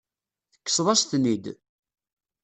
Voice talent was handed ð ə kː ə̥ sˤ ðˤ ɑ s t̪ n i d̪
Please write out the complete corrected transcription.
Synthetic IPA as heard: θ ə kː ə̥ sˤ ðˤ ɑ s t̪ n i d̪